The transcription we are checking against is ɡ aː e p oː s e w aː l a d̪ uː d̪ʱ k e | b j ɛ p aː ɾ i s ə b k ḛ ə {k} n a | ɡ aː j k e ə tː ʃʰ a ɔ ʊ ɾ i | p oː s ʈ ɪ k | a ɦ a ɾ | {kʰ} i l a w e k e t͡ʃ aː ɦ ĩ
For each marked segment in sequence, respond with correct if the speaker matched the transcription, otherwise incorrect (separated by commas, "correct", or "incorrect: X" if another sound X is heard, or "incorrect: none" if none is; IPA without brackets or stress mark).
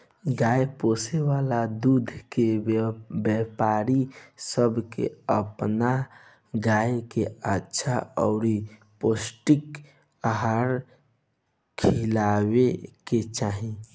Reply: incorrect: p, correct